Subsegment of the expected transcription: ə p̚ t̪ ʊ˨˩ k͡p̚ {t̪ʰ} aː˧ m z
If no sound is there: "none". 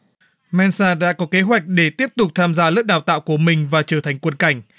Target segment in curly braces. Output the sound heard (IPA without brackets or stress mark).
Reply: t̪ʰ